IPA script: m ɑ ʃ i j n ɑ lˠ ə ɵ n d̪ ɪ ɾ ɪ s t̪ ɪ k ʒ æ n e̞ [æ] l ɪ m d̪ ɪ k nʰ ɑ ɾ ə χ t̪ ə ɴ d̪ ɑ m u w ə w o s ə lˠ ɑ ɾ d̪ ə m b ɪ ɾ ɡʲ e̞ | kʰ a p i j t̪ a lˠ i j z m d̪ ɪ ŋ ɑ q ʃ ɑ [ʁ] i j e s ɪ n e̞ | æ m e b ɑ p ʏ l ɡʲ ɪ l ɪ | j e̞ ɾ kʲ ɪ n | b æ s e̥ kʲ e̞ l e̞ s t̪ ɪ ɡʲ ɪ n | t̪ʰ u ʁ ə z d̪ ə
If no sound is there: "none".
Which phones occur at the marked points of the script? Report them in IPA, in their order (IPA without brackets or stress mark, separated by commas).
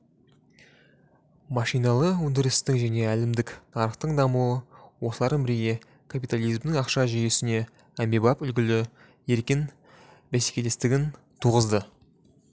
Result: æ, ʒ